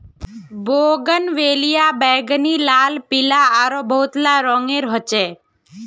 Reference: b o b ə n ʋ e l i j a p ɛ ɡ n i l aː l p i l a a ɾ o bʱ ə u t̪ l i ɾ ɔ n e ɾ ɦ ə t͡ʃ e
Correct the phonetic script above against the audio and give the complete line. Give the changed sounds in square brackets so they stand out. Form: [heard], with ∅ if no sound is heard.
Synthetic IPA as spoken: b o [ɡ] ə n ʋ e l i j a [b] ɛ ɡ n i l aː l p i l a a ɾ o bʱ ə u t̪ l [a] ɾ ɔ [ŋ] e ɾ ɦ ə t͡ʃ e